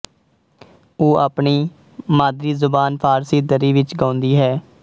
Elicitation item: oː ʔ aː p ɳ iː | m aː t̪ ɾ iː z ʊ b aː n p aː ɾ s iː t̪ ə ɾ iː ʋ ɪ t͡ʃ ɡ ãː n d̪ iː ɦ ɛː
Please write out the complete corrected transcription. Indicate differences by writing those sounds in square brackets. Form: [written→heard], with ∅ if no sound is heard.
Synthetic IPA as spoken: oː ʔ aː p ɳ iː | m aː [t̪→d̪] ɾ iː z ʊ b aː n [p→pʰ] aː ɾ s iː [t̪→d̪] ə ɾ iː ʋ ɪ t͡ʃ ɡ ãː n d̪ iː ɦ ɛː

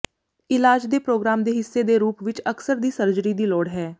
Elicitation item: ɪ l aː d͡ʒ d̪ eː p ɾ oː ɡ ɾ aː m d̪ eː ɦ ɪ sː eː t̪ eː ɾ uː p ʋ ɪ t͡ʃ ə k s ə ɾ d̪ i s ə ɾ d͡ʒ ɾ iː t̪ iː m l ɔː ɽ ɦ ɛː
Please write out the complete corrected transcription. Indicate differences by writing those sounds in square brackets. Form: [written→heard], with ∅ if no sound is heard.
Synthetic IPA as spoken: ɪ l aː d͡ʒ d̪ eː p ɾ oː ɡ ɾ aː m d̪ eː ɦ ɪ sː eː [t̪→d̪] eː ɾ uː p ʋ ɪ t͡ʃ ə k s ə ɾ d̪ [i→iː] s ə ɾ d͡ʒ ɾ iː [t̪→d̪] iː [m→∅] l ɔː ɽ ɦ ɛː

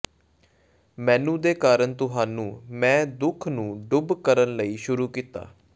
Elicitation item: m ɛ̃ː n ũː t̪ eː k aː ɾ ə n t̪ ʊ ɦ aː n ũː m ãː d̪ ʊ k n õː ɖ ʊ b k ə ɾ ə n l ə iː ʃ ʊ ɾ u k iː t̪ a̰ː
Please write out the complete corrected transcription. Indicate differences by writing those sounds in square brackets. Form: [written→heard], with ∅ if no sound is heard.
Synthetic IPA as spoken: m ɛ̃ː n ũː [t̪→d̪] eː k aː ɾ ə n t̪ ʊ ɦ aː n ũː m [ãː→ɛ̃ː] d̪ ʊ [k→kʰ] n [õː→ũː] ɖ ʊ b k ə ɾ ə n l ə iː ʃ ʊ ɾ [u→uː] k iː t̪ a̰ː

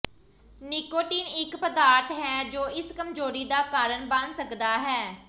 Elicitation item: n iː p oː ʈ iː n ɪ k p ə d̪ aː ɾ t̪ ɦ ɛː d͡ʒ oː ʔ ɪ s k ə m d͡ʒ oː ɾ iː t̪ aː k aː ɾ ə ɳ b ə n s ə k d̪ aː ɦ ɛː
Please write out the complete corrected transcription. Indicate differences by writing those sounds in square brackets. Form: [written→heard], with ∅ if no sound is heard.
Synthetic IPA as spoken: n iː [p→k] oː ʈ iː n ɪ k p ə d̪ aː ɾ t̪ ɦ ɛː d͡ʒ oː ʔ ɪ s k ə m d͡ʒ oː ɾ iː [t̪→d̪] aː k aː ɾ ə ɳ b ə n s ə k d̪ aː ɦ ɛː

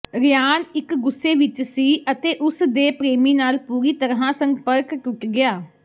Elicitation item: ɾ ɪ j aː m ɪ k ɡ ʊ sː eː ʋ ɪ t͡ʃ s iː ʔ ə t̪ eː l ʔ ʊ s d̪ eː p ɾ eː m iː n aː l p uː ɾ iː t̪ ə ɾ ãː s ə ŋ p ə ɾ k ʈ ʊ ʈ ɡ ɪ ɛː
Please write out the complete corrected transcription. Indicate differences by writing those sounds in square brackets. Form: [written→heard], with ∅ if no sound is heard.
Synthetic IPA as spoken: ɾ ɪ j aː [m→n] ɪ k ɡ ʊ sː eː ʋ ɪ t͡ʃ s iː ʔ ə t̪ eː [l→∅] ʔ ʊ s d̪ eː p ɾ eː m iː n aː l p uː ɾ iː t̪ ə ɾ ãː s ə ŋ p ə ɾ k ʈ ʊ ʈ ɡ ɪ [ɛː→aː]

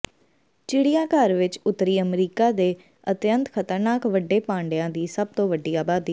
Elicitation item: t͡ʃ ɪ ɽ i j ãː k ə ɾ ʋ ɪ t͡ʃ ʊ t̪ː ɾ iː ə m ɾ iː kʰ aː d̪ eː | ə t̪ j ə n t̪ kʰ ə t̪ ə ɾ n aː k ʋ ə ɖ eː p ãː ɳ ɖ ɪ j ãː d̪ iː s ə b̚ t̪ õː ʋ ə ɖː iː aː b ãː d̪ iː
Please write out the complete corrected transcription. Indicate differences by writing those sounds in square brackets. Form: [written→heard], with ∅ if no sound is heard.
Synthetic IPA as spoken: t͡ʃ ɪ ɽ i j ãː k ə ɾ ʋ ɪ t͡ʃ ʊ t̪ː ɾ iː ə m ɾ iː [kʰ→k] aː d̪ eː | ə t̪ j ə n t̪ kʰ ə t̪ ə ɾ n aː k ʋ ə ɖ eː p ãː ɳ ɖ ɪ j ãː d̪ iː s ə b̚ t̪ õː ʋ ə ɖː iː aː b [ãː→aː] d̪ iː

